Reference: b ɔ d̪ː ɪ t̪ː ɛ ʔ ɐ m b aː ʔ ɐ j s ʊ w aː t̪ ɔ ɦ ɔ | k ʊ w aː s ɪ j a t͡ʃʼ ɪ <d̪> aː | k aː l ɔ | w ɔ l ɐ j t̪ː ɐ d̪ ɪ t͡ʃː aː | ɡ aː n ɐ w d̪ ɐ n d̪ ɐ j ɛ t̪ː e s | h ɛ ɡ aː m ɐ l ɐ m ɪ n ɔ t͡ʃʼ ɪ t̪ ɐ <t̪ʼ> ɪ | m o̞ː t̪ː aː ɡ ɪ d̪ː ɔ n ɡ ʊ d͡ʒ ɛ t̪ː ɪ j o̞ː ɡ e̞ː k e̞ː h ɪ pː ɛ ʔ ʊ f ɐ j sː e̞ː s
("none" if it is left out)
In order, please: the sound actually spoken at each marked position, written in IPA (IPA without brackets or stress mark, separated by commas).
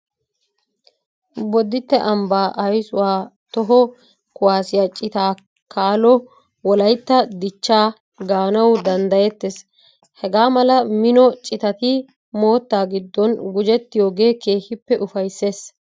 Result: t̪, t̪